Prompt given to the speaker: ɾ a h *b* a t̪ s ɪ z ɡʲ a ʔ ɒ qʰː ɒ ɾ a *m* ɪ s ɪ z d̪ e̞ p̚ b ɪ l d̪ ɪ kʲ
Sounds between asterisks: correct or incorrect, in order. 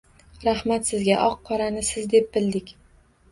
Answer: incorrect, incorrect

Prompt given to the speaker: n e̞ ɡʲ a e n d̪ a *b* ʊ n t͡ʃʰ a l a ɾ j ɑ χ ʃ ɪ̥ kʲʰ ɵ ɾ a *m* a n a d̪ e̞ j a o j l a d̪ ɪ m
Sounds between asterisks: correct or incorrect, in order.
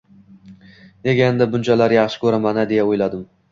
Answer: correct, correct

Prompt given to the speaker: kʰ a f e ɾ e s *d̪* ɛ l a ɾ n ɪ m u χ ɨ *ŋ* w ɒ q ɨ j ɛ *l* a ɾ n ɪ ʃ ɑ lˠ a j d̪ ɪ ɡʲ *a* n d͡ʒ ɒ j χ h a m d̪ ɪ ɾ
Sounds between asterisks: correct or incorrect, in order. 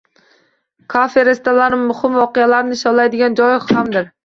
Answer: incorrect, incorrect, correct, incorrect

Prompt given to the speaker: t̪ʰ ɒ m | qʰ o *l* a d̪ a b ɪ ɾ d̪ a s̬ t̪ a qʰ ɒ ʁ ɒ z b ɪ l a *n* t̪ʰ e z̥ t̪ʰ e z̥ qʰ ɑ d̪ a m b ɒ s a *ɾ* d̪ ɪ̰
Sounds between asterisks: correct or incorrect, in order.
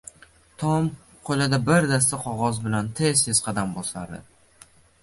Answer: correct, correct, correct

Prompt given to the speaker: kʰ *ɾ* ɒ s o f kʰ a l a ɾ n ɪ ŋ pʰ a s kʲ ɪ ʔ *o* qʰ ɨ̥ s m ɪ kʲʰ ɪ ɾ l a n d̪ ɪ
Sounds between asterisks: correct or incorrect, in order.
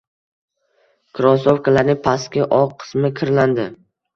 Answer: correct, incorrect

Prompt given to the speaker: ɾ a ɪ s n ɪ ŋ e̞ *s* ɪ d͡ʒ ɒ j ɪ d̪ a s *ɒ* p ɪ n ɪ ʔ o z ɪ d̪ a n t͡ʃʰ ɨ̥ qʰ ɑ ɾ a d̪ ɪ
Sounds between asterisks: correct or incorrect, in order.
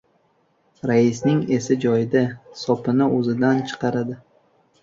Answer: correct, correct

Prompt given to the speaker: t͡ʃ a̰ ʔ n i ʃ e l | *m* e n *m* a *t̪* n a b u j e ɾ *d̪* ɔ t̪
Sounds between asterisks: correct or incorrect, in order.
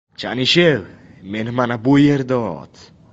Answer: correct, correct, incorrect, correct

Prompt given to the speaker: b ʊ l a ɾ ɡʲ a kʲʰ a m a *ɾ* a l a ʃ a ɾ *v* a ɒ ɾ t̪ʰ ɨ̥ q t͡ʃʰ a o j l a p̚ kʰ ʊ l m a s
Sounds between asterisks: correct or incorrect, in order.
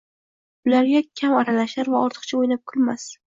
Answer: correct, correct

